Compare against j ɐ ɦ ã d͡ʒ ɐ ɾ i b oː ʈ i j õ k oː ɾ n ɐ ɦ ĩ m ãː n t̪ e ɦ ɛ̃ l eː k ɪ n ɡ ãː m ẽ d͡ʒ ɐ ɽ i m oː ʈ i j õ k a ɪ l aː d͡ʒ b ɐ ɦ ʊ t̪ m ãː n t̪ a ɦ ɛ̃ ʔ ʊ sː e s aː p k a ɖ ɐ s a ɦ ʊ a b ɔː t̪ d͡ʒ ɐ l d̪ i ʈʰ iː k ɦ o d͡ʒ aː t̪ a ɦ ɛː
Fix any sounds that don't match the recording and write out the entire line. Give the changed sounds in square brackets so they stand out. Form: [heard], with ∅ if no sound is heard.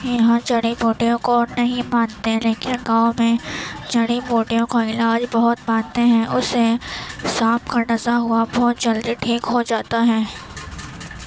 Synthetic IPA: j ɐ ɦ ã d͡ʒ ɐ [ɽ] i b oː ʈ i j õ k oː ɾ n ɐ ɦ ĩ m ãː n t̪ e ɦ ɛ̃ l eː k ɪ n ɡ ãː m ẽ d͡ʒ ɐ ɽ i [b] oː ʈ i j õ k a ɪ l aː d͡ʒ b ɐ ɦ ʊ t̪ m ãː n t̪ [e] ɦ ɛ̃ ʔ ʊ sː e s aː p k a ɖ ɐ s a ɦ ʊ a b ɔː t̪ d͡ʒ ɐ l d̪ i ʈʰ iː k ɦ o d͡ʒ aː t̪ a ɦ ɛː